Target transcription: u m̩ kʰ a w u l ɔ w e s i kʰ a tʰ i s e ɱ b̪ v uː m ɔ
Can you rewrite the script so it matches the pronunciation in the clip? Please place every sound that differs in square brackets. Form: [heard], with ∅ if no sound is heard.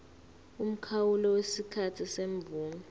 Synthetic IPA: u m̩ kʰ a w u l ɔ w e s i kʰ a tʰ i s e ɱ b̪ v uː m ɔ